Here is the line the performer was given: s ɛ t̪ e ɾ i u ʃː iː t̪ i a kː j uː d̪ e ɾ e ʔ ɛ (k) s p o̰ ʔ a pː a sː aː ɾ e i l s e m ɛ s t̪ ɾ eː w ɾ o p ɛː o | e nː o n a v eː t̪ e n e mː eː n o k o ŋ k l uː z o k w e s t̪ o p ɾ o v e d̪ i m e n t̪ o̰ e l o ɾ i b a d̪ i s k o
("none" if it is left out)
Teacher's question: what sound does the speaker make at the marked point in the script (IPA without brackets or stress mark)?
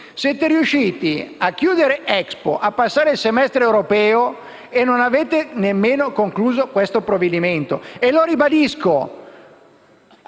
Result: k